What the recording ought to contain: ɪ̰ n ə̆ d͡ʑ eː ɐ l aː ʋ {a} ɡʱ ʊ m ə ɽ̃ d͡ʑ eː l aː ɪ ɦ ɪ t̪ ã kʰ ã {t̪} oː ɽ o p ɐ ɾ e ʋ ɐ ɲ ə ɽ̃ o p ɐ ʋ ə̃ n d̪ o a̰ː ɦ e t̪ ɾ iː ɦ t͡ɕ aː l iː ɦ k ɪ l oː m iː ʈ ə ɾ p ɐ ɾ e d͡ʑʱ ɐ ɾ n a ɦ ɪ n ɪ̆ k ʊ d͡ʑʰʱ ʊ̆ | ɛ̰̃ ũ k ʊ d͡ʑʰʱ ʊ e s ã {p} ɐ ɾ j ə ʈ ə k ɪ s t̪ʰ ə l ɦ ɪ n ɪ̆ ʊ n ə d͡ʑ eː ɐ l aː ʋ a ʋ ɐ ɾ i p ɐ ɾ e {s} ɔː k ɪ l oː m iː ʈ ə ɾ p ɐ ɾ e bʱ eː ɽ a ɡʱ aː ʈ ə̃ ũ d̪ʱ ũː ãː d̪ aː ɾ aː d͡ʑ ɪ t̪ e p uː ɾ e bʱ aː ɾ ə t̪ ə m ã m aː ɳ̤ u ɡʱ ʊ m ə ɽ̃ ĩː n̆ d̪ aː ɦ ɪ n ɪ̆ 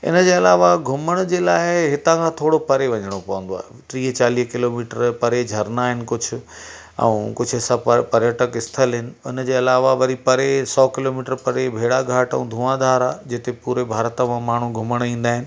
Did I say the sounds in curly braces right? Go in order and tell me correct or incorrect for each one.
correct, incorrect, correct, correct

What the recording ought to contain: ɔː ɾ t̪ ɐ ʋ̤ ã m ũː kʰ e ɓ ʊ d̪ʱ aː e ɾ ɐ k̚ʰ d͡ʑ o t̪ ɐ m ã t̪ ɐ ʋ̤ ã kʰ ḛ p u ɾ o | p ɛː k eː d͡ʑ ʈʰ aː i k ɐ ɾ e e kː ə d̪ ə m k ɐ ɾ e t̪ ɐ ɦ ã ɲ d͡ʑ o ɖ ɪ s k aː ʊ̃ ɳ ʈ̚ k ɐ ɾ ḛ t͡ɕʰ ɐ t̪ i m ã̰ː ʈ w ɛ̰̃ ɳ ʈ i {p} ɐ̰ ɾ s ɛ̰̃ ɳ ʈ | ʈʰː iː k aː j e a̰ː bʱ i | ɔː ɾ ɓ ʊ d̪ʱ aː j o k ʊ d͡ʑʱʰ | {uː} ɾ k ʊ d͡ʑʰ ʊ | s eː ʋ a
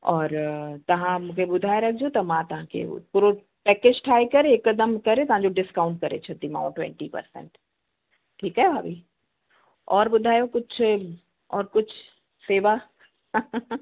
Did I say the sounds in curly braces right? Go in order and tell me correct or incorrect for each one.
correct, incorrect

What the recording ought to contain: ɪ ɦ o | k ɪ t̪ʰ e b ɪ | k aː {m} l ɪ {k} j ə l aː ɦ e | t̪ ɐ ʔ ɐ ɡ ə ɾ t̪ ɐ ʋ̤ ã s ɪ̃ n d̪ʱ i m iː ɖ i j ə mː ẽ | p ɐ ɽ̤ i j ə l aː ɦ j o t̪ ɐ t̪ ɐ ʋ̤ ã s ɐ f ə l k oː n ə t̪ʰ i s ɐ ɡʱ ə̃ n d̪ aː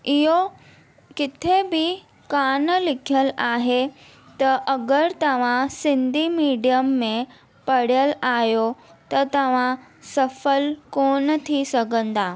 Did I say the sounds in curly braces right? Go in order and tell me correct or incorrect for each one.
incorrect, incorrect

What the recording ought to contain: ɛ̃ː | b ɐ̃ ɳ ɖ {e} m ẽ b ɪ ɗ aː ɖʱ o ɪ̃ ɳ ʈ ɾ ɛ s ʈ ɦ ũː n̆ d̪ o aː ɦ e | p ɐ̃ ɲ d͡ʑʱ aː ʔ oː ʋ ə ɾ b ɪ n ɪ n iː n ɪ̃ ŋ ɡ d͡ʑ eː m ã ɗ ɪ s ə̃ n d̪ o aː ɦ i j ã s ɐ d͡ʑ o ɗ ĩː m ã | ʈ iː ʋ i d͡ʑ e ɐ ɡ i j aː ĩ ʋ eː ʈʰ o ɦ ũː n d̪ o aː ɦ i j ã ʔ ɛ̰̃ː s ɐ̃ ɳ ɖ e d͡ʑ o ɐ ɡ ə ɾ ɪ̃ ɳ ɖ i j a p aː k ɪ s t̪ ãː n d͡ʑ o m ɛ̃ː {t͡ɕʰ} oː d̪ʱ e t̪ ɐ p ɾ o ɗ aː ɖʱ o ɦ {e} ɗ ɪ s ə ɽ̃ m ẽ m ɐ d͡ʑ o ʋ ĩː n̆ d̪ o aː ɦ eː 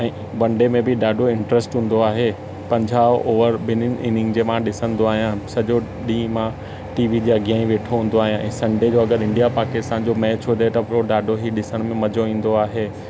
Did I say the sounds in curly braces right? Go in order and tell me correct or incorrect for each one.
correct, correct, incorrect

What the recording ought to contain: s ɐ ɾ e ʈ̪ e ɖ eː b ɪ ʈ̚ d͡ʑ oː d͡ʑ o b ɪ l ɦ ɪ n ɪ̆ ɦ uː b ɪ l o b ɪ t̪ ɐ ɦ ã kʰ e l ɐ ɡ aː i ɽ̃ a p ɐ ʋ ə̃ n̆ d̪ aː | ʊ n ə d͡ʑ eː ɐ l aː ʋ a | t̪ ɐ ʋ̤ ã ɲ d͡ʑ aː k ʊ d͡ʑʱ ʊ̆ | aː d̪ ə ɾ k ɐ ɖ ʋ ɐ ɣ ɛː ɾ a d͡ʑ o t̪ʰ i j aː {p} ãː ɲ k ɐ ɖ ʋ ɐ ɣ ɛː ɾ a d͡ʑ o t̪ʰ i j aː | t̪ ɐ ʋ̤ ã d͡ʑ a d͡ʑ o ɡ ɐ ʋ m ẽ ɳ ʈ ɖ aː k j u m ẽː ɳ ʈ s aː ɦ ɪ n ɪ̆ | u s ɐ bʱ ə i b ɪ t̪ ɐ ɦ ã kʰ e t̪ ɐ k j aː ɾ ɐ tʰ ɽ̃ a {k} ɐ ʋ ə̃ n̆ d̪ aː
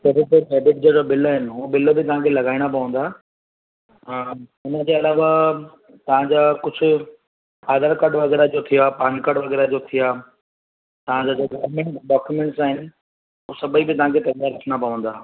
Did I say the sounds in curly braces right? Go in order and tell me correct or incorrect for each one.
correct, incorrect

